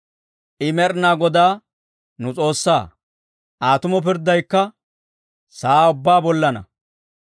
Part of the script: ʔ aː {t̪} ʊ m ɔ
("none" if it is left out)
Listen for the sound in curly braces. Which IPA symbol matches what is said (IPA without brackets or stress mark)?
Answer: t̪